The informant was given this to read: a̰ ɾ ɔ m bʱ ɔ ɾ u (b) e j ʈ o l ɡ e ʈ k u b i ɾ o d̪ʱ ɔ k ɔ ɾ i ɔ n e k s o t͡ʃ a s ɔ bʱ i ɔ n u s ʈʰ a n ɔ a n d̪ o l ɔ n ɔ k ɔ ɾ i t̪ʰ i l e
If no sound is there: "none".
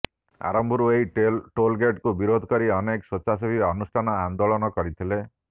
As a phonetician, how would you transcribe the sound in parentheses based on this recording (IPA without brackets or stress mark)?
none